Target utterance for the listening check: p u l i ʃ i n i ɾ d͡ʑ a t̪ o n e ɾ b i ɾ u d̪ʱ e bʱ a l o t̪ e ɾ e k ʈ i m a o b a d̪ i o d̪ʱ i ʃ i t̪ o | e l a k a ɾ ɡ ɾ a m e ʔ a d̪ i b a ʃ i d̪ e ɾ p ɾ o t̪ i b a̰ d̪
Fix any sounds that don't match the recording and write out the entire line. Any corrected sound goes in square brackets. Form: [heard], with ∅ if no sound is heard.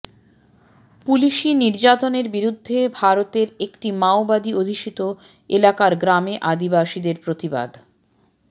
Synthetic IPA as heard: p u l i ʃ i n i ɾ d͡ʑ a t̪ o n e ɾ b i ɾ u [d̪ʱː] e bʱ a [ɾ] o t̪ e ɾ e k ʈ i m a o b a d̪ i o d̪ʱ i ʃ i t̪ o | e l a k a ɾ ɡ ɾ a m e ʔ a d̪ i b a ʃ i d̪ e ɾ p ɾ o t̪ i b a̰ d̪